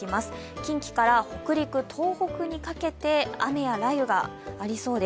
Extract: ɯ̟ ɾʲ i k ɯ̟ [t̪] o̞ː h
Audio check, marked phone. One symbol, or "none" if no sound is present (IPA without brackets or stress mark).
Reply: t̪ʰ